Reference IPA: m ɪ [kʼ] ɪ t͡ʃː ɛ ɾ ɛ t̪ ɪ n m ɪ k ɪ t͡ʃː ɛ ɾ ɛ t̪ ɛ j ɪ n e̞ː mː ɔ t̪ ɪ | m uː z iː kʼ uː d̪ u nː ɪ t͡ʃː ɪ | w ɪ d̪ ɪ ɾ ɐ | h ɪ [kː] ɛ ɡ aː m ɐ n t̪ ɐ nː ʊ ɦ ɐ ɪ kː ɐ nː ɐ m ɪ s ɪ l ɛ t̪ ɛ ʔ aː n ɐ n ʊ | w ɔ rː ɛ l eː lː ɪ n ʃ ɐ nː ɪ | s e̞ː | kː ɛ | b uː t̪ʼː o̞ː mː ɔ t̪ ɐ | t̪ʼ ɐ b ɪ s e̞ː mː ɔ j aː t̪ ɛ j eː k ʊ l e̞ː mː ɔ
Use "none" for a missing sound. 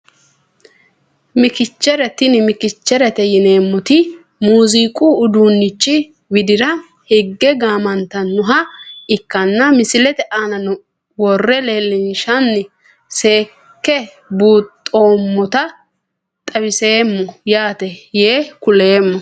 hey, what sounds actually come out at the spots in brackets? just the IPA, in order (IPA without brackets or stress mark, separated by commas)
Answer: k, ɡː